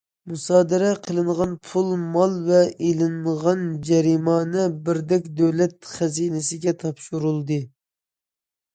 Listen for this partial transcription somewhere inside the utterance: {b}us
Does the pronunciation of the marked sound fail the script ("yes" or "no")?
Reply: yes